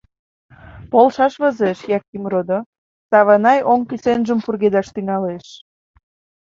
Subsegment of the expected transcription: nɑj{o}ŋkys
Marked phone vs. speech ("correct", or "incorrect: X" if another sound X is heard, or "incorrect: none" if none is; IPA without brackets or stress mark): correct